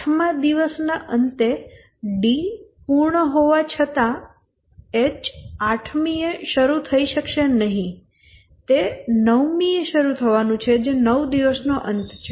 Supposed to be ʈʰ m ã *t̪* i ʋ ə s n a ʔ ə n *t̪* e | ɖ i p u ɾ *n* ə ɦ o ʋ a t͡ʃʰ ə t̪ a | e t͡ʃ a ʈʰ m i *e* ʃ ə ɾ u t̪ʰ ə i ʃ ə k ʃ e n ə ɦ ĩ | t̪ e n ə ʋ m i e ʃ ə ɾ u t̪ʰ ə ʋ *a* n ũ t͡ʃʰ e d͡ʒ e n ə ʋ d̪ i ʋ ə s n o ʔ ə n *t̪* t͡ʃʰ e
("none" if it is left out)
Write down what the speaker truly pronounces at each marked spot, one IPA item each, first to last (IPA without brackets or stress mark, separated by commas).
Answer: d̪, t̪, ɳ, e, a, t̪